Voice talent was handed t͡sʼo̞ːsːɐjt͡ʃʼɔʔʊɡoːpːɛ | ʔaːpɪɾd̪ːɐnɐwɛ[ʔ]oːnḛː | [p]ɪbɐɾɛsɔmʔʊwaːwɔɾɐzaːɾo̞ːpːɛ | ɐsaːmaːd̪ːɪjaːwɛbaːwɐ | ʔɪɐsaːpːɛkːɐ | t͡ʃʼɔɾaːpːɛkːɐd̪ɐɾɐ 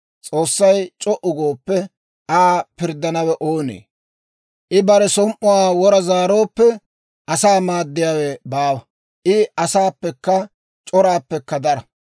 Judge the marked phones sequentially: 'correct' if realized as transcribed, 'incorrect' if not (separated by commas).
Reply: correct, incorrect